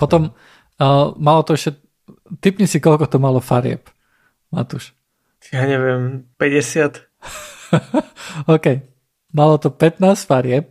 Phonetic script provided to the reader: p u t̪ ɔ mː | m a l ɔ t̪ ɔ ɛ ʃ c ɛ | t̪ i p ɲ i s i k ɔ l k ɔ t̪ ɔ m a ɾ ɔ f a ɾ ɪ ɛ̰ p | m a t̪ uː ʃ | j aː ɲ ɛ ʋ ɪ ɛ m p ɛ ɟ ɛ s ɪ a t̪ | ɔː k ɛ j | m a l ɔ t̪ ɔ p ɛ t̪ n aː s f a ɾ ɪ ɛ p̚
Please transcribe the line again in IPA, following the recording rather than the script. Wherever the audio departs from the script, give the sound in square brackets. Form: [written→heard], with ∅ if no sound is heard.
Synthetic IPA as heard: p [u→ɔ] t̪ ɔ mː | m a l ɔ t̪ ɔ ɛ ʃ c ɛ | t̪ i p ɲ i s i k ɔ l k ɔ t̪ ɔ m a [ɾ→l] ɔ f a ɾ ɪ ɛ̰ p | m a t̪ [uː→u] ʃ | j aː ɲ ɛ ʋ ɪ ɛ m p ɛ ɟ ɛ s ɪ a t̪ | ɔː k ɛ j | m a l ɔ t̪ ɔ p ɛ t̪ n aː s f a ɾ ɪ ɛ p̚